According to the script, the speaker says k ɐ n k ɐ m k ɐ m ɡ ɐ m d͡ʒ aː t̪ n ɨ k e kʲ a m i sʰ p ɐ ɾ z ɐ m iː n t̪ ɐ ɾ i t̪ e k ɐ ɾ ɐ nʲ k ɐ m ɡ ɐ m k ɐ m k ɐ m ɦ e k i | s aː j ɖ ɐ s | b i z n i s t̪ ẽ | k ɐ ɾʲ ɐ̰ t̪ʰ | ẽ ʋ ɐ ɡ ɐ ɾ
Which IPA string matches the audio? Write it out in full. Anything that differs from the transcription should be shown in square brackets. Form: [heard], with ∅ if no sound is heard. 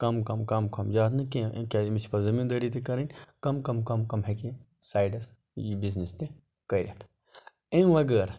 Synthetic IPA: k ɐ [m] k ɐ m k ɐ m [k] ɐ m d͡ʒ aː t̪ n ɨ k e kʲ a m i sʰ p ɐ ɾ z ɐ m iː n [d̪] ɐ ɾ i t̪ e k ɐ ɾ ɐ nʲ k ɐ m [k] ɐ m k ɐ m k ɐ m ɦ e k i | s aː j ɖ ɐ s | b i z n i s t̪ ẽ | k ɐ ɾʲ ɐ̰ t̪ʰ | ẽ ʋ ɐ ɡ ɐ ɾ